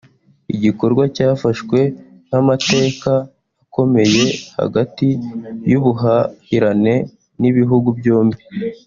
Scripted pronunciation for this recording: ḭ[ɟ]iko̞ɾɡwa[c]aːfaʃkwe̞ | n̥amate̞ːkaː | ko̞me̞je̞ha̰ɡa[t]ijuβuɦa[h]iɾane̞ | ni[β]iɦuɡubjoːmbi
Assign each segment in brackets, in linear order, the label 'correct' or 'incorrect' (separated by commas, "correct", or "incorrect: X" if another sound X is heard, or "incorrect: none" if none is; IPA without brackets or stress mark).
correct, correct, correct, correct, correct